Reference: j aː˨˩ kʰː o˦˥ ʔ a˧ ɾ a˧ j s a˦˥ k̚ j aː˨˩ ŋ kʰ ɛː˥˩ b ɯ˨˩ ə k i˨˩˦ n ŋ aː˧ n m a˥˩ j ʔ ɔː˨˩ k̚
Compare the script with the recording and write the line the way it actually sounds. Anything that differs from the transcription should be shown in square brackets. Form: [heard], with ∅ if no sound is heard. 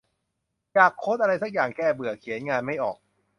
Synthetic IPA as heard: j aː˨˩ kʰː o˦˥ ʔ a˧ ɾ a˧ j s a˦˥ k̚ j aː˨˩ ŋ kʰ ɛː˥˩ b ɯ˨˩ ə [kʰ] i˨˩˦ n ŋ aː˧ n m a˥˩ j ʔ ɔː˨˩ k̚